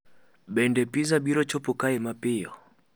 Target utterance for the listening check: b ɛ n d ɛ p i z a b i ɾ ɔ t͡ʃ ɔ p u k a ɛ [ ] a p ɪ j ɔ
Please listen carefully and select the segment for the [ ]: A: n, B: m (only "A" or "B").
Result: B